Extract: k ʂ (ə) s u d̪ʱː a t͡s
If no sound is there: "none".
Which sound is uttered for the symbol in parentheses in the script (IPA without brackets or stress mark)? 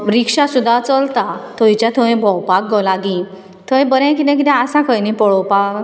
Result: a